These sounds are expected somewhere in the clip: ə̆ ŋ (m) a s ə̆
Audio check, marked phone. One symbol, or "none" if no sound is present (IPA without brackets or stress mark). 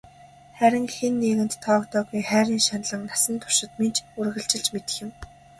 n